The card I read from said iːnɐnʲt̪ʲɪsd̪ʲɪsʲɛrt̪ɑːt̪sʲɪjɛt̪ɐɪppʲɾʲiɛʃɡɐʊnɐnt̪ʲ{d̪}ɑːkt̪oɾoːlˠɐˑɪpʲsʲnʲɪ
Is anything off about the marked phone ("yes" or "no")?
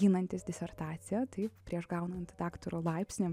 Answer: no